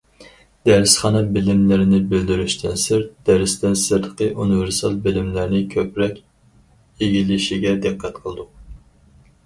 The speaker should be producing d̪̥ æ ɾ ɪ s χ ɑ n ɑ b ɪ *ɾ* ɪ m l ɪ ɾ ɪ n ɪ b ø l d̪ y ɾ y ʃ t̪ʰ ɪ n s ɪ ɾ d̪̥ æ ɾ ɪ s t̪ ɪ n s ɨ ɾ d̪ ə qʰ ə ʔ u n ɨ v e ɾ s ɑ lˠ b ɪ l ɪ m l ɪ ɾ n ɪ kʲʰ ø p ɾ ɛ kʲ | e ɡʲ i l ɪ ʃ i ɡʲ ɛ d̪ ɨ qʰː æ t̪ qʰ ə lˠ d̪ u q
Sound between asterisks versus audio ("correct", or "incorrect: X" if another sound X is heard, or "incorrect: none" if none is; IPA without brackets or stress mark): incorrect: l